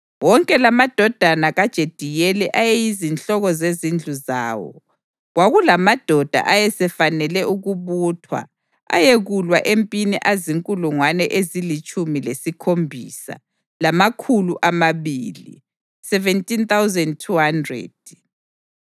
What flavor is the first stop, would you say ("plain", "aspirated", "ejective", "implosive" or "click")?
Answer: ejective